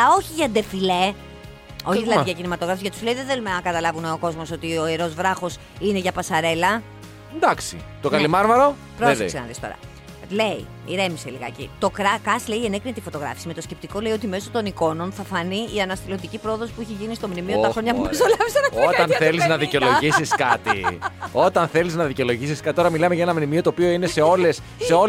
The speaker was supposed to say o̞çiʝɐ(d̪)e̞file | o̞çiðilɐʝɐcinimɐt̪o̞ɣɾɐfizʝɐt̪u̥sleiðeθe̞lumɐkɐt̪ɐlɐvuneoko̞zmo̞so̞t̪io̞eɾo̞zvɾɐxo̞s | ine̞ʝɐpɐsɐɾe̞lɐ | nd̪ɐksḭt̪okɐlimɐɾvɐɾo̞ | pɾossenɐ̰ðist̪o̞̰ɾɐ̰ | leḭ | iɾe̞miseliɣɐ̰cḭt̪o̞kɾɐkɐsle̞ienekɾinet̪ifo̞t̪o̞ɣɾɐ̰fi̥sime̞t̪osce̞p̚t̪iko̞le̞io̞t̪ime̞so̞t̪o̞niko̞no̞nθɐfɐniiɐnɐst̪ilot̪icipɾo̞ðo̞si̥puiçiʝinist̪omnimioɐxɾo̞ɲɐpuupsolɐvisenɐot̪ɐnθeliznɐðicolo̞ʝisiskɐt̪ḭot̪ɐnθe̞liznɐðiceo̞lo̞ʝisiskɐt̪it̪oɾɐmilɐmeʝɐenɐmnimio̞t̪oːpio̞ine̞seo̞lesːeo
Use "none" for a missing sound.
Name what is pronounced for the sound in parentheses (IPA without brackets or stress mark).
d̪